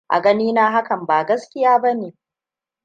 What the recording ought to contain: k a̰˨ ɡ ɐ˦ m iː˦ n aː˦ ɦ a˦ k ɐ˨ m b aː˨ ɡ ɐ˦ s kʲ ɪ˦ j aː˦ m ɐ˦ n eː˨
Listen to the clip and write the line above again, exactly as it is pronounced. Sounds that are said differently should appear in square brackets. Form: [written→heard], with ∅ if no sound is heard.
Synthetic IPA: [k→ʔ] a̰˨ ɡ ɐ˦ [m→n] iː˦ n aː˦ ɦ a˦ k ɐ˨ m b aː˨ ɡ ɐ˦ s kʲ ɪ˦ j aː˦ [m→b] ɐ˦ n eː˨

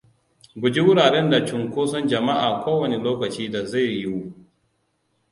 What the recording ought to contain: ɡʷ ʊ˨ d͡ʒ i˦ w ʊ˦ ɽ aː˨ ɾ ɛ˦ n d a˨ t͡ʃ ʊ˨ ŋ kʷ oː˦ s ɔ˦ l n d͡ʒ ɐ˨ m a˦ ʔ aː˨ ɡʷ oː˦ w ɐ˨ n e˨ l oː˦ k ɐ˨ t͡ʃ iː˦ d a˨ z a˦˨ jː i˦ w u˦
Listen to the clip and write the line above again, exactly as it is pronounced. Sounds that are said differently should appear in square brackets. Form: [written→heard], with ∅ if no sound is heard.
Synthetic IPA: ɡʷ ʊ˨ d͡ʒ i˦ w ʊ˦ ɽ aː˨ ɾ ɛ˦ n d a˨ t͡ʃ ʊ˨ ŋ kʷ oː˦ s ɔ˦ [l→∅] n d͡ʒ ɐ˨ m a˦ ʔ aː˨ [ɡʷ→kʷ] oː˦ w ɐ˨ n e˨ l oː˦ k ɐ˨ t͡ʃ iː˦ d a˨ z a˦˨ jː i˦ w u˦

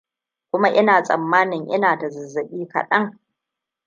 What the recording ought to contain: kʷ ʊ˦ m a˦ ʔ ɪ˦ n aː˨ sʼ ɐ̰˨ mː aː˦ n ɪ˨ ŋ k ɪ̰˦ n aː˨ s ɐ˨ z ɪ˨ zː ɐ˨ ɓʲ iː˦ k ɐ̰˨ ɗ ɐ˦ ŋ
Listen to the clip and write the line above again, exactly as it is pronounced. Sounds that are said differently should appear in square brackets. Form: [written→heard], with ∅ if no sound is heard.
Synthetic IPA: kʷ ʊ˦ m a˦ ʔ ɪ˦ n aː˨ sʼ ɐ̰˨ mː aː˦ n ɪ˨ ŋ [k→ʔ] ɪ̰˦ n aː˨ [s→t] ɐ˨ z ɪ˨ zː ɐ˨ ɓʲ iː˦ k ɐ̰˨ ɗ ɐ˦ ŋ

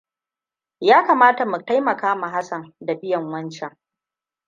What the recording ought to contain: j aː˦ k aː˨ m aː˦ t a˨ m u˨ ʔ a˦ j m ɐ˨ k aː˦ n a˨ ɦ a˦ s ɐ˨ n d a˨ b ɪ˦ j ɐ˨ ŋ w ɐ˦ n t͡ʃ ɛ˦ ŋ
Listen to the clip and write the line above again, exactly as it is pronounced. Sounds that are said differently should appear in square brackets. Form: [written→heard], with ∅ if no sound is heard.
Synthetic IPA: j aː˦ k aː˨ m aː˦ t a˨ m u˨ [ʔ→t] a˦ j m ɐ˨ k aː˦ [n→m] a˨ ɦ a˦ s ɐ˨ n d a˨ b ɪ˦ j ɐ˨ ŋ w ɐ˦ n t͡ʃ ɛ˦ ŋ

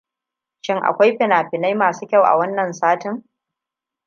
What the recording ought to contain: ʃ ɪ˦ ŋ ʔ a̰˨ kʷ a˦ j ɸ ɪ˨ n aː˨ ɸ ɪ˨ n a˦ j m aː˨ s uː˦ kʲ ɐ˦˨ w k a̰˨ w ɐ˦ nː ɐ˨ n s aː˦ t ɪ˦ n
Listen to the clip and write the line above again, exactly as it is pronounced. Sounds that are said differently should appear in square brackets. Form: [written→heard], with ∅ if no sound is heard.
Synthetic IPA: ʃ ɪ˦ ŋ ʔ a̰˨ kʷ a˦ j ɸ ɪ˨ n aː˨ ɸ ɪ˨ n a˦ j m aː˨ s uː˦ kʲ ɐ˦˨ w [k→ʔ] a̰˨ w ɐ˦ nː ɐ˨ n s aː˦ t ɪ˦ [n→ŋ]

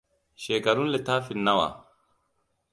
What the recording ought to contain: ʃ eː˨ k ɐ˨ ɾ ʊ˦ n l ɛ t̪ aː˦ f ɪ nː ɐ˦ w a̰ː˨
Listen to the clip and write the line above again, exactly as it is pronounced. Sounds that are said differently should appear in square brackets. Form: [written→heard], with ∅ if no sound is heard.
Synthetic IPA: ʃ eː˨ k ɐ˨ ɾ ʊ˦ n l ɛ t̪ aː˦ f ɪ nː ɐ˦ w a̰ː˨

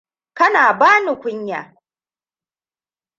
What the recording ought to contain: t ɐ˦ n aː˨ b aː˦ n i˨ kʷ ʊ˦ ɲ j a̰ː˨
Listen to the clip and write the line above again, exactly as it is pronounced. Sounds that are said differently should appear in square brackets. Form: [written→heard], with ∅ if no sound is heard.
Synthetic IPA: [t→k] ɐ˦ n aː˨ b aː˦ n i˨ kʷ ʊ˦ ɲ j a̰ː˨

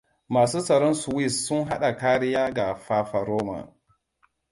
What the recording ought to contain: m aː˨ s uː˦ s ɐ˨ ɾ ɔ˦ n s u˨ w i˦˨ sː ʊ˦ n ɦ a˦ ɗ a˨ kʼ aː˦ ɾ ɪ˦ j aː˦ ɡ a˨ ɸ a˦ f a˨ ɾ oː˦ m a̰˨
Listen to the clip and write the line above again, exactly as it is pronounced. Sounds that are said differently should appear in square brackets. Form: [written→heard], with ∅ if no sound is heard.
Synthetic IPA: m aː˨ s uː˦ s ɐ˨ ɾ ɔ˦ n s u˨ w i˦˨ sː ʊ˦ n ɦ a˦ ɗ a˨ [kʼ→k] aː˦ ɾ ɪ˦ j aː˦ ɡ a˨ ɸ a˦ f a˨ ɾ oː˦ m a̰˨

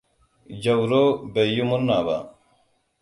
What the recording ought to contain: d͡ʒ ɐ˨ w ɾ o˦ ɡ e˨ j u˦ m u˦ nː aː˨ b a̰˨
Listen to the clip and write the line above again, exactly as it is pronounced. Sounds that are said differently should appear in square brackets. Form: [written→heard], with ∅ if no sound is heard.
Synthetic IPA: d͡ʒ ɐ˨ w ɾ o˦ [ɡ→b] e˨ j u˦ m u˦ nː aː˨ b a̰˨

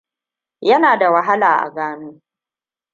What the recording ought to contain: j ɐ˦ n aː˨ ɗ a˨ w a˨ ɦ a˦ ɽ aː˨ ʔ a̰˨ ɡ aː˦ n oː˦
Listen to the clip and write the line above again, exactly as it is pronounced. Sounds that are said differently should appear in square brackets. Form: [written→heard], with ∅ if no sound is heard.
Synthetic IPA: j ɐ˦ n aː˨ [ɗ→d] a˨ w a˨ ɦ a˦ [ɽ→l] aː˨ ʔ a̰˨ ɡ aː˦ n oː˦

